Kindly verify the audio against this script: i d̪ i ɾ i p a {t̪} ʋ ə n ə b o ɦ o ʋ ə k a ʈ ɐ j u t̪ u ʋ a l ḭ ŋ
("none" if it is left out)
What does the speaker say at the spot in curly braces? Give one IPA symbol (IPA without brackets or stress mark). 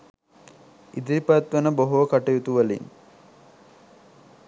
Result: t̪